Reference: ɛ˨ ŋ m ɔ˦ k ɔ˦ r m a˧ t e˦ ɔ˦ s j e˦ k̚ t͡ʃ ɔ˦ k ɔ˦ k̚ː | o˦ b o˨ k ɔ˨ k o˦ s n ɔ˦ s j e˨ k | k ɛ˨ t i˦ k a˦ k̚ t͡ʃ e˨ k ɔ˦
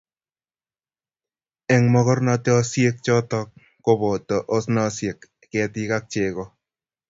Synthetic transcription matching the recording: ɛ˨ ŋ m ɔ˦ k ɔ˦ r n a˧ t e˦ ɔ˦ s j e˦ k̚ t͡ʃ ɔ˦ t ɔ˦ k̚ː | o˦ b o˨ t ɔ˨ ʔ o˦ s n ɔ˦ s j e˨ k | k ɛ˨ t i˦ k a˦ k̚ t͡ʃ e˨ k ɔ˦